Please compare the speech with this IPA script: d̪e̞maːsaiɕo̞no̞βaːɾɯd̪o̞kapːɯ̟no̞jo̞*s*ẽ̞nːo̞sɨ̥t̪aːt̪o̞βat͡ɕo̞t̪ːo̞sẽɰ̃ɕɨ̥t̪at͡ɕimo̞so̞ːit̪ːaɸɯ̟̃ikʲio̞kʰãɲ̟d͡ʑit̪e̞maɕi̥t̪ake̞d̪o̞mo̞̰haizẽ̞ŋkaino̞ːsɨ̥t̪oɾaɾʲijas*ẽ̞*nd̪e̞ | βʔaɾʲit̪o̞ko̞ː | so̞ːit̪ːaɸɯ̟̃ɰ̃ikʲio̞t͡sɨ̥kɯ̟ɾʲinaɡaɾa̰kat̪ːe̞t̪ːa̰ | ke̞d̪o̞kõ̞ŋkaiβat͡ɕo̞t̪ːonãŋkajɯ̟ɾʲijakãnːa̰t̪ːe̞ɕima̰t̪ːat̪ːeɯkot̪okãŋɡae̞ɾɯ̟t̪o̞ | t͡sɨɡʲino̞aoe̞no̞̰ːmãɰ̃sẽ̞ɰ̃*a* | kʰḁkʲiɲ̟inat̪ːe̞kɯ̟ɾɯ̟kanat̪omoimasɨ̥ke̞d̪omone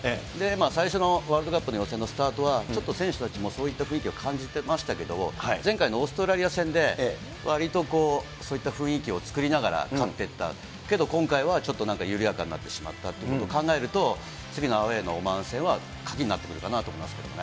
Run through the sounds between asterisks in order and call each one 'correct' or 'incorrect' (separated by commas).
correct, correct, correct